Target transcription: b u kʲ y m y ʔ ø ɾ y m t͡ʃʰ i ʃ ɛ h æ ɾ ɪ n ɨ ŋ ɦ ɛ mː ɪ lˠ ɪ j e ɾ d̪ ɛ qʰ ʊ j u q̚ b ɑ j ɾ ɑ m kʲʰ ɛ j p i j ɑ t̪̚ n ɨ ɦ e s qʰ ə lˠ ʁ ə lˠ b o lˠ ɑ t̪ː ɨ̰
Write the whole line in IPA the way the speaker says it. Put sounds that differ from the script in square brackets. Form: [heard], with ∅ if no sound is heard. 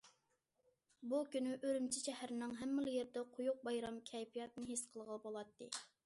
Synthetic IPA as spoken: b u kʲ y [n] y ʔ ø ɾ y m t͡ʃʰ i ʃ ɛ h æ ɾ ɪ n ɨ ŋ ɦ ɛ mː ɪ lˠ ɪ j e ɾ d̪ ɛ qʰ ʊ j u q̚ b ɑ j ɾ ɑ m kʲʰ ɛ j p i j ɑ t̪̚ n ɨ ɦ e s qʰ ə lˠ ʁ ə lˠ b o lˠ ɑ t̪ː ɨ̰